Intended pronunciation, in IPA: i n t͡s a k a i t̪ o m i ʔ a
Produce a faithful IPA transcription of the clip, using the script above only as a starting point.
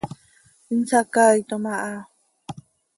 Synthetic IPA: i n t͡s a k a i t̪ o m a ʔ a